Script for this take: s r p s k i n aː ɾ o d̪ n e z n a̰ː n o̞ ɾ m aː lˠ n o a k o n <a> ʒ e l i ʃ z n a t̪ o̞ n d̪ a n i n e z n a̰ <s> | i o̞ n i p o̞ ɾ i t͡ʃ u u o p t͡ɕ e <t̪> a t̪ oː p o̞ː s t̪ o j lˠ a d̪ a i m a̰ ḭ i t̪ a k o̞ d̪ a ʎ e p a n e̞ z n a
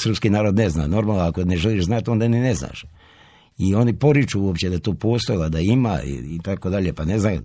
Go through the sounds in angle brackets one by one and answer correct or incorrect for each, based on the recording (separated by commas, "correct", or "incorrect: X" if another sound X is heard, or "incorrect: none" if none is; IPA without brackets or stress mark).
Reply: incorrect: e, incorrect: ʃ, incorrect: d̪